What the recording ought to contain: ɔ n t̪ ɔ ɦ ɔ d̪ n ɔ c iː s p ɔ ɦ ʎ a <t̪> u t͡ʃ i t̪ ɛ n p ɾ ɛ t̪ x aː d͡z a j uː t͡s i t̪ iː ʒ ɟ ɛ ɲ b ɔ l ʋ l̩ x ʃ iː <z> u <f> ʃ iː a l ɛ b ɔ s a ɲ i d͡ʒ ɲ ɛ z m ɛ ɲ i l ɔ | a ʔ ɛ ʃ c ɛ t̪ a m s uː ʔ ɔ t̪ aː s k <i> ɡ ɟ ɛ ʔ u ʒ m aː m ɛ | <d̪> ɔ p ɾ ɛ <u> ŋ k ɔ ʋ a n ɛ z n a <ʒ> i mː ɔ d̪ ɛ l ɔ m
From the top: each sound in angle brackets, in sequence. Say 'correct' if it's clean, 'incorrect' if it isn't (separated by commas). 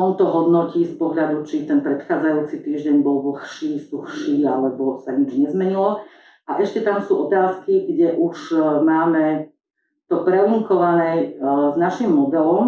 incorrect, incorrect, incorrect, correct, incorrect, correct, incorrect